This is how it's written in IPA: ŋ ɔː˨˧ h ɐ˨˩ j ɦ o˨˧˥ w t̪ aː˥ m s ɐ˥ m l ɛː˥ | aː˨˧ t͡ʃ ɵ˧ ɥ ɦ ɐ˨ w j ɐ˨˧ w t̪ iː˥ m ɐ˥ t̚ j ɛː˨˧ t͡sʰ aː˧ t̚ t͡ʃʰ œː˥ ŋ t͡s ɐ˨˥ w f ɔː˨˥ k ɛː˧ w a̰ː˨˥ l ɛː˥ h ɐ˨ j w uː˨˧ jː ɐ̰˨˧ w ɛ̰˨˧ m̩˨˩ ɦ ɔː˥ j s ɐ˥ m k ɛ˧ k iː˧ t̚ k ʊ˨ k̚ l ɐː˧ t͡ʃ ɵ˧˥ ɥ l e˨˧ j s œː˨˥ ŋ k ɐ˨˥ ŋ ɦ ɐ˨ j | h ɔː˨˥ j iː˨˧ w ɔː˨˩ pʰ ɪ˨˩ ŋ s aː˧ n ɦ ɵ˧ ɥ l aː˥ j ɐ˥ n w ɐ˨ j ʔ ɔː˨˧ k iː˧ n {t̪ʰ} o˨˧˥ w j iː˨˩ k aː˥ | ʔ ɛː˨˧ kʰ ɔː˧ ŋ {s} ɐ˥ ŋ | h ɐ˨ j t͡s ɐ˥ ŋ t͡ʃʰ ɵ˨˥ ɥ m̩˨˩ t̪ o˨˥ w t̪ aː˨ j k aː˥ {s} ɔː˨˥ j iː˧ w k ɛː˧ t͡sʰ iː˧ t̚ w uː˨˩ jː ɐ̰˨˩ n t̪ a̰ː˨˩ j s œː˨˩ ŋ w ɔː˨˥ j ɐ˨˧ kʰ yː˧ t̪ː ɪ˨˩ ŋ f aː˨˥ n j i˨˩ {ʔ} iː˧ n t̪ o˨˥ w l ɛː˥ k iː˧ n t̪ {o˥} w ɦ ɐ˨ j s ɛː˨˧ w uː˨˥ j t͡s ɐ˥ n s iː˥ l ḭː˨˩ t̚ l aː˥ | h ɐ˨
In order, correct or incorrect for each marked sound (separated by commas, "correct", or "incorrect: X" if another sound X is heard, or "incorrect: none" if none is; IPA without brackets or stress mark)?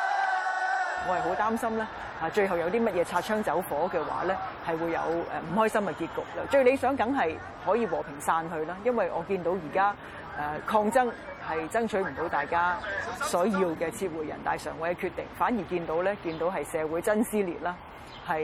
incorrect: t̪, incorrect: t͡s, correct, incorrect: k, incorrect: o˨˥